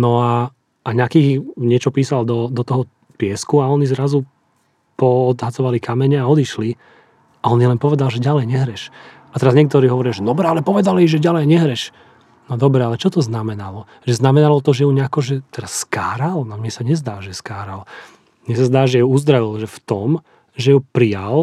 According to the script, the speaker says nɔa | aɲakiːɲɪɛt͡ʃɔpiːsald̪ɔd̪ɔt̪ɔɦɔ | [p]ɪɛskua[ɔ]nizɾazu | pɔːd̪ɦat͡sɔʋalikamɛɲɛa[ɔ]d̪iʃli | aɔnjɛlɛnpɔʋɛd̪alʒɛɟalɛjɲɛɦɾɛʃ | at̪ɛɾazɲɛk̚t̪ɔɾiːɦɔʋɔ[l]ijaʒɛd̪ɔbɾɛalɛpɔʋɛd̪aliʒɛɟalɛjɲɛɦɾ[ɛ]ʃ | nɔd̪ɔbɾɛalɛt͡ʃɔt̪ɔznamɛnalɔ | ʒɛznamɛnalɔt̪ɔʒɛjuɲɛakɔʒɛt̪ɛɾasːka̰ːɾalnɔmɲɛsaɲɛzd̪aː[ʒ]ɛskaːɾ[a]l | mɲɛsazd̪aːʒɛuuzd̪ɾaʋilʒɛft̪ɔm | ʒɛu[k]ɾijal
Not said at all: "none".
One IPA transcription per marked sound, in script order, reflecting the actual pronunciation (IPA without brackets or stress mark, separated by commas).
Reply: p, ɔ, ɔ, ɾ, ɛ, ʒ, a, p